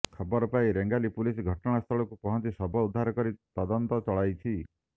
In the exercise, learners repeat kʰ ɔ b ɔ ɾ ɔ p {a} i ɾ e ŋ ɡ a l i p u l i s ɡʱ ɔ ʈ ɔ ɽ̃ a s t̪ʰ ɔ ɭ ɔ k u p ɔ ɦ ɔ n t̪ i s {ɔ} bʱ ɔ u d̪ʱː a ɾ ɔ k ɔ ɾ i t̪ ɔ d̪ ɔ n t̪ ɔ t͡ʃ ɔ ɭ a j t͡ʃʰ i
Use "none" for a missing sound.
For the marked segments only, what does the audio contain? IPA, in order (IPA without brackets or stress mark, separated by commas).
a, ɔ